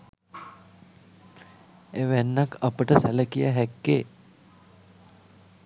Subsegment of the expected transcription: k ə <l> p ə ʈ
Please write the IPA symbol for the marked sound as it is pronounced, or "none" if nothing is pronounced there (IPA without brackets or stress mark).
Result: none